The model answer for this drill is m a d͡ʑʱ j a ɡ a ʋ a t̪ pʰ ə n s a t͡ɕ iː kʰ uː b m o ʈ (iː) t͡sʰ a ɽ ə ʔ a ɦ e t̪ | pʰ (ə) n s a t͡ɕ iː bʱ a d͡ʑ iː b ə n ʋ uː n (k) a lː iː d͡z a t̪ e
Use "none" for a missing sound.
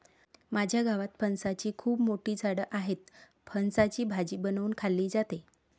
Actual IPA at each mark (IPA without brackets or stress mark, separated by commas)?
iː, ə, kʰ